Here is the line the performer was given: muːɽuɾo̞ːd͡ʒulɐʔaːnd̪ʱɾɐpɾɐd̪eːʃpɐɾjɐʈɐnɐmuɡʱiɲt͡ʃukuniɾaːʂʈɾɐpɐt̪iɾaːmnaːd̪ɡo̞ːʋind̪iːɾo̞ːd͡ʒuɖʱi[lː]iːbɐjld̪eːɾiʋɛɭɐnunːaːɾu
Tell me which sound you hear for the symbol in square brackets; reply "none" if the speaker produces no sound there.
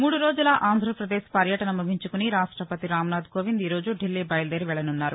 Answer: lː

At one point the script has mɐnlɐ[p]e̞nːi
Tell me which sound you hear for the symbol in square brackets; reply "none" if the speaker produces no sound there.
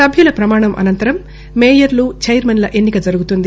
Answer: ʔ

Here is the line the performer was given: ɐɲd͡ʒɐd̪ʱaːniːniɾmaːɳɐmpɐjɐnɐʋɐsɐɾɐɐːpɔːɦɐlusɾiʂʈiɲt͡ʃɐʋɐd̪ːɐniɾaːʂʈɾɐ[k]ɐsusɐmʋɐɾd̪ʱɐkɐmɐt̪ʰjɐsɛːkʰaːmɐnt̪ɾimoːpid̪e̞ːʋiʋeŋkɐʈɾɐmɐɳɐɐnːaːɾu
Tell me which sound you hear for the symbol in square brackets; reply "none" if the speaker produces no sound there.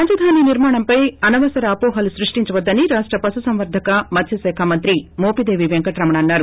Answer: p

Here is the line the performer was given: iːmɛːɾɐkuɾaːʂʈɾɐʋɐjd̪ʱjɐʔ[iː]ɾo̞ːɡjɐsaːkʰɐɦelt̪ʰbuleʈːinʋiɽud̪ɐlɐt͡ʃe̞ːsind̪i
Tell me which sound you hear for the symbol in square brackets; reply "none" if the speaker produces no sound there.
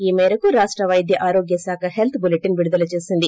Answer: aː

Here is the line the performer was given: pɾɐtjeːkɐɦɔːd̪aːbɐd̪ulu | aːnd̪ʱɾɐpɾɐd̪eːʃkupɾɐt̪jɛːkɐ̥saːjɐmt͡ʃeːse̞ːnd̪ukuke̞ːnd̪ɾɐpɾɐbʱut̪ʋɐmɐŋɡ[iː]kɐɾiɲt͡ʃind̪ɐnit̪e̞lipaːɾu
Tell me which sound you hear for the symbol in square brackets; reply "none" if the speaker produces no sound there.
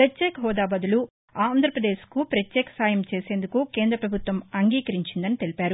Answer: iː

